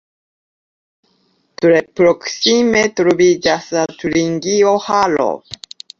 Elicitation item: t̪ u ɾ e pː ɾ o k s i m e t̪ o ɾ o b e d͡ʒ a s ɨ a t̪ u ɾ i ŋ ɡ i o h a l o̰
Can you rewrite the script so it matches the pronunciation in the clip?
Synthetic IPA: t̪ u ɾ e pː ɾ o k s i m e t̪ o ɾ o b i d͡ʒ a s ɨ a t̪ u ɾ i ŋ ɡ i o h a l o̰

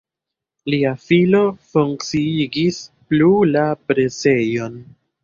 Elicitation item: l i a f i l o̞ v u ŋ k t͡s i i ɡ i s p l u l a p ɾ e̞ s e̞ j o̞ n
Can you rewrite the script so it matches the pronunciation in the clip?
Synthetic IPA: l i a f i l o̞ f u ŋ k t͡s i i ɡ i s p l u l a p ɾ e̞ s e̞ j o̞ n

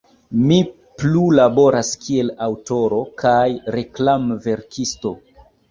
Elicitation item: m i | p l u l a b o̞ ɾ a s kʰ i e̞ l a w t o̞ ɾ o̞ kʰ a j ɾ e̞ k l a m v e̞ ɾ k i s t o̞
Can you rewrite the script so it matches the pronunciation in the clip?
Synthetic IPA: m i | p l u l a b o̞ ɾ a s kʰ i e̞ l a w t o̞ ɾ o̞ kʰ a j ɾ e̞ k l a m v e̞ ɾ k i s t o̞

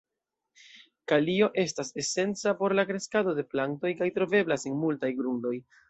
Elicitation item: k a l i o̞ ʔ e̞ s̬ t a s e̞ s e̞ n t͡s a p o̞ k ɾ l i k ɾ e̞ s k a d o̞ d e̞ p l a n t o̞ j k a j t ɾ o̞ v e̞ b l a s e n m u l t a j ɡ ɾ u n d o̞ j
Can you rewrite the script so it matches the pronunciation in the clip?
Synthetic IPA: k a l i o̞ ʔ e̞ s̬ t a s e̞ s e̞ n t͡s a p o̞ ɾ l a k ɾ e̞ s k a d o̞ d e̞ p l a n t o̞ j k a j t ɾ o̞ v e̞ b l a s e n m u l t a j ɡ ɾ u n d o̞ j

